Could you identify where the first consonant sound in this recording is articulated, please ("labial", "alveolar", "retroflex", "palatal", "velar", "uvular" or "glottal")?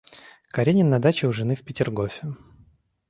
velar